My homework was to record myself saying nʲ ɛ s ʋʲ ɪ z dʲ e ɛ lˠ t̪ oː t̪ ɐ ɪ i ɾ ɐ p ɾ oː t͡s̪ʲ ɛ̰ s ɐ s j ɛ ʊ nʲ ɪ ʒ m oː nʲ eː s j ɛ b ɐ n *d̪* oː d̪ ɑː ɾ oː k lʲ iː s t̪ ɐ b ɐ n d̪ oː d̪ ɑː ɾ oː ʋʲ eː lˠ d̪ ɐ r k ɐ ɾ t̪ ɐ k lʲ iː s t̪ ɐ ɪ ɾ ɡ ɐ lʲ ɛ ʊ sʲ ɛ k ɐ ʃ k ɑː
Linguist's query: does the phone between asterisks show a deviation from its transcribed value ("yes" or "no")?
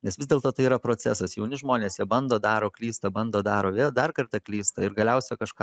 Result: no